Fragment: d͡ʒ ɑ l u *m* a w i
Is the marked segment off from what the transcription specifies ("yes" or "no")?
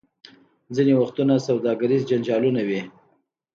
yes